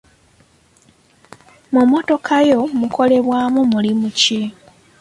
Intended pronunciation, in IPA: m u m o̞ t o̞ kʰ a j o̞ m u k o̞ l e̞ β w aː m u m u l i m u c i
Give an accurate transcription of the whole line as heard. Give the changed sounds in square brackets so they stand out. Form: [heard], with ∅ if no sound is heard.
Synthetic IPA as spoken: m u m o̞ t o̞ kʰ a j o̞ m u k o̞ l e̞ β w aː m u m u l i m u c i